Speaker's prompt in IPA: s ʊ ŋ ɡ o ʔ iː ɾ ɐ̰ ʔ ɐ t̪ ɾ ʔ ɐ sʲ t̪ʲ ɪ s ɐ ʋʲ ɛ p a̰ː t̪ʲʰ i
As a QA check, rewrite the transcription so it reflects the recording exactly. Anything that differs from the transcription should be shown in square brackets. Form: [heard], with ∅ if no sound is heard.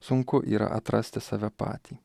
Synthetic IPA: s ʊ ŋ [k] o ʔ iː ɾ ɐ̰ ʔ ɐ t̪ ɾ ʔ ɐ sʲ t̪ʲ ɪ s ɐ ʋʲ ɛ p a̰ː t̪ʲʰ i